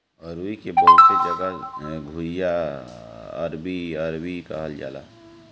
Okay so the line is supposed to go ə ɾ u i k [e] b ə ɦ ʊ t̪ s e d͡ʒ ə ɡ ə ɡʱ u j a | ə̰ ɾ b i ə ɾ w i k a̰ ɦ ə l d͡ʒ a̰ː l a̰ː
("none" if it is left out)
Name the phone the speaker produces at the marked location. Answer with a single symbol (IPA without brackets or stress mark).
e